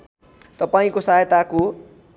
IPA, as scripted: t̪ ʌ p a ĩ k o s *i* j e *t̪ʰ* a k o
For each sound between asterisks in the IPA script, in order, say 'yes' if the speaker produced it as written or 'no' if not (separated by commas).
no, no